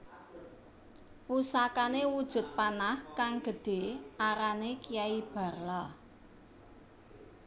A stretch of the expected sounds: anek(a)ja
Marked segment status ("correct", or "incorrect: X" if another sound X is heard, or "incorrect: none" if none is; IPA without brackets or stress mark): incorrect: i